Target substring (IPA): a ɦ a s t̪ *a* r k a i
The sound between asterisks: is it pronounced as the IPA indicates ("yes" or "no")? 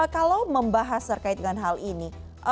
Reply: no